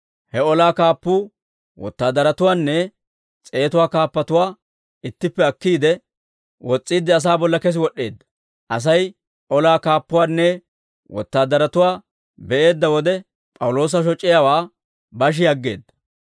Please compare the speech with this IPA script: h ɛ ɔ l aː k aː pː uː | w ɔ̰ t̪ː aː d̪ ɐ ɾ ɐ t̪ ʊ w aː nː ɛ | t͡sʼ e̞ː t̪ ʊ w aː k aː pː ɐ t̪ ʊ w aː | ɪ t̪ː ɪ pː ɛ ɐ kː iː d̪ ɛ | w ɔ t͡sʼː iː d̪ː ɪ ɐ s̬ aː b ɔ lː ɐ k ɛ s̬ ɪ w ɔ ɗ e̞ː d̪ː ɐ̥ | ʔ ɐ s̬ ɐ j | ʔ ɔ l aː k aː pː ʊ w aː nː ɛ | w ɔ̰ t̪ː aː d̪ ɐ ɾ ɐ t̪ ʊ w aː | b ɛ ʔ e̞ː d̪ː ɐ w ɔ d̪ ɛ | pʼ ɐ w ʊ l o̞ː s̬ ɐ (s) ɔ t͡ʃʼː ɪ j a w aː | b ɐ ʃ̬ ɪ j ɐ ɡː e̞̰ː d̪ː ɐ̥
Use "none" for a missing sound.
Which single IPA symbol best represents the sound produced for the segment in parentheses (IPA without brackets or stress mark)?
ʃ